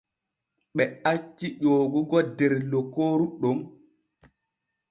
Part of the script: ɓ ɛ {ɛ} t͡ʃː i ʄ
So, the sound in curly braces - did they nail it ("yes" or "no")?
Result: no